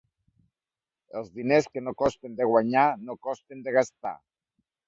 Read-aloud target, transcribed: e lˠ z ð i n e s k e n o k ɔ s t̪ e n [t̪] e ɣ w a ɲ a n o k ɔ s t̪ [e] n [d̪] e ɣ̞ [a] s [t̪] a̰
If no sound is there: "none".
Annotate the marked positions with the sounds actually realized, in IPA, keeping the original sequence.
d̪, e, d̪, a, t̪

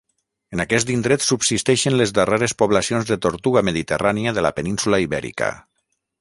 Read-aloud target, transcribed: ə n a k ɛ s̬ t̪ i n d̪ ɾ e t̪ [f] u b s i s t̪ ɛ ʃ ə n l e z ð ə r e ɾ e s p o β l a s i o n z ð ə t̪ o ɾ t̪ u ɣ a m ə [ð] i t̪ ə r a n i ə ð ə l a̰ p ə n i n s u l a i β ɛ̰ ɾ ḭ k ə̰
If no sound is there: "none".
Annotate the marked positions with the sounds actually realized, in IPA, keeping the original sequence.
s, ð

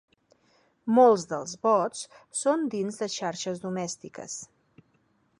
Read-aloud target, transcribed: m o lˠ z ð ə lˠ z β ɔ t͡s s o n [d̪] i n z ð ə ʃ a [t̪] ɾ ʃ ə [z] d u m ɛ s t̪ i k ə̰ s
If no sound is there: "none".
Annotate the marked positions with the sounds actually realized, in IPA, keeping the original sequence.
d̪, none, z

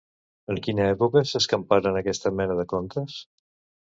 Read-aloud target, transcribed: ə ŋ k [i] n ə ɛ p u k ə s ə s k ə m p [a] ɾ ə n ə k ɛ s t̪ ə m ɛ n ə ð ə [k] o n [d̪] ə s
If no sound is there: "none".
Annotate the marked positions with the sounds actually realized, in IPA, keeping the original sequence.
i, a, k, t̪

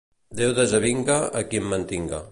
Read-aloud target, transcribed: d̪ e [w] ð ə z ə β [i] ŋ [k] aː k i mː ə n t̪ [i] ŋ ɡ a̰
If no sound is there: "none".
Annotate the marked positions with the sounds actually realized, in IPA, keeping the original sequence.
w, i, ɡ, i

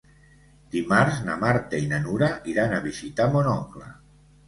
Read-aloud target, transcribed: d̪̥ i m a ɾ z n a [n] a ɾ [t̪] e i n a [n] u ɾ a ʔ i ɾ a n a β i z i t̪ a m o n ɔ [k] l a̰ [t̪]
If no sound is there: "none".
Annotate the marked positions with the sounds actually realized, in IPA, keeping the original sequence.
m, t̪, n, k, none

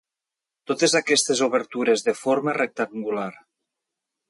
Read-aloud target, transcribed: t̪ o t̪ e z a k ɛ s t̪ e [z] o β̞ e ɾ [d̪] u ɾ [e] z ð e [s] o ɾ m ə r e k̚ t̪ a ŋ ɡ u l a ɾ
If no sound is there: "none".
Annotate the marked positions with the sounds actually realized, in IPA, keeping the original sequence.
z, t̪, e, f

